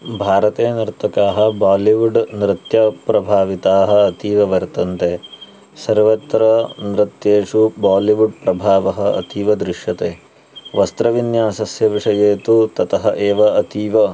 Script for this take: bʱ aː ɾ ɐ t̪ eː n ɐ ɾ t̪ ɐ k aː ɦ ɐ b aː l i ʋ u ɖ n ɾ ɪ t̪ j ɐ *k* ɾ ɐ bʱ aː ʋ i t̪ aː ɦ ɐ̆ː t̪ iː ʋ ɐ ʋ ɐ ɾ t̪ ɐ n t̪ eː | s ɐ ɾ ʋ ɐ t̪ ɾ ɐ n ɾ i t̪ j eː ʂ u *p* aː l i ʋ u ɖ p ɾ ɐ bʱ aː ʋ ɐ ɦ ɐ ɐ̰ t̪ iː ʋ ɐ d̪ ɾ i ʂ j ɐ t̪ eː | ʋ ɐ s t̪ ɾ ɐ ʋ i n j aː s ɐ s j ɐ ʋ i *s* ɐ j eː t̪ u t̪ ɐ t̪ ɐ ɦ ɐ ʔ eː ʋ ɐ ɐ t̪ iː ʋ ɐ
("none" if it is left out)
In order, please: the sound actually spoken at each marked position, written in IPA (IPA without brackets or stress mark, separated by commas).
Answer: p, b, ʂ